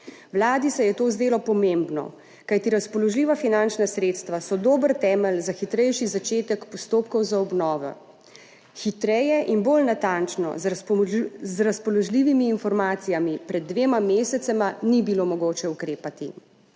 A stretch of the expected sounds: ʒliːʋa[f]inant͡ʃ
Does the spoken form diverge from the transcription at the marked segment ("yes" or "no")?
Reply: no